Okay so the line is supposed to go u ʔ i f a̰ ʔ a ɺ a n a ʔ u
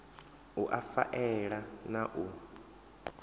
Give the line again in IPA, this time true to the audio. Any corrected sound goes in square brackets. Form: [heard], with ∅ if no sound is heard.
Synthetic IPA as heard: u ʔ [a] f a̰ ʔ [ɛ] ɺ a n a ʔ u